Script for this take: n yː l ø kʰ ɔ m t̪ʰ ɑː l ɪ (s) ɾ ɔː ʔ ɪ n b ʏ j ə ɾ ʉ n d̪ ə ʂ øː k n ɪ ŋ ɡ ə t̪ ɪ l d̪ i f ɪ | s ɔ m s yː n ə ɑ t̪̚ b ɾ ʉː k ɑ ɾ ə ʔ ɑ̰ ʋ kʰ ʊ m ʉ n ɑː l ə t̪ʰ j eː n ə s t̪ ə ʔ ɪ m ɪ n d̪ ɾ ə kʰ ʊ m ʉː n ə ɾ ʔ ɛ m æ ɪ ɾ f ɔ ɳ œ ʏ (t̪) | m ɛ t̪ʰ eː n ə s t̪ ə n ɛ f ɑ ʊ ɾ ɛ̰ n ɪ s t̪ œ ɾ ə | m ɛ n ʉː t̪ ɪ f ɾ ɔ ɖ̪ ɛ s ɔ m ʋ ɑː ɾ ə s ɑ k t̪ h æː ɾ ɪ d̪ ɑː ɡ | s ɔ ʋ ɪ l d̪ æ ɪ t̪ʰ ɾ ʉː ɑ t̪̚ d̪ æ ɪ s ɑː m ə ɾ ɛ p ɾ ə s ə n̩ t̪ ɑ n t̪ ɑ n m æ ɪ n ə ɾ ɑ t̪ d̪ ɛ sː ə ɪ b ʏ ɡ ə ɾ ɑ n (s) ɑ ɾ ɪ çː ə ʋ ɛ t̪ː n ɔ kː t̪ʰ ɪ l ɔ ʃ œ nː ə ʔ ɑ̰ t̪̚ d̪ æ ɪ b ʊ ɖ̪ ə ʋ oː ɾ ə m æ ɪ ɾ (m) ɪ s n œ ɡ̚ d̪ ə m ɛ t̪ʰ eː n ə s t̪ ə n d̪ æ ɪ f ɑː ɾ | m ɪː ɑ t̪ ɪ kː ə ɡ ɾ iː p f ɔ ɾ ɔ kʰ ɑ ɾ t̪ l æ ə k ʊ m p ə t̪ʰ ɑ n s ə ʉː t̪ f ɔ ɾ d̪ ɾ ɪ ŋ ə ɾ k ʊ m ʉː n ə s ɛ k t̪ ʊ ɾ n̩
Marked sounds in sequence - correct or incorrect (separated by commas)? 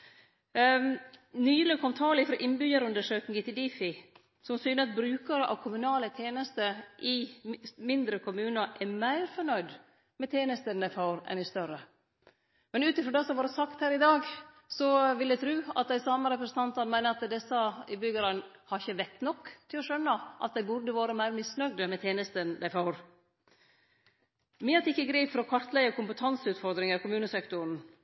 incorrect, incorrect, incorrect, correct